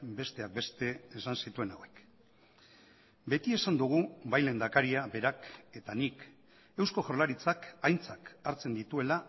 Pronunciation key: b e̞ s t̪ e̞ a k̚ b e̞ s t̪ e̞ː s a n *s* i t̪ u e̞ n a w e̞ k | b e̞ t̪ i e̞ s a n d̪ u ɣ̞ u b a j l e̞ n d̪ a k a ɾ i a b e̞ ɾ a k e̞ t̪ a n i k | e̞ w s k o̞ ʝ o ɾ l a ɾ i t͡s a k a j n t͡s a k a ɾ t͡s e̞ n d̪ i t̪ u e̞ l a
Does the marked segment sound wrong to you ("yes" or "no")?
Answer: no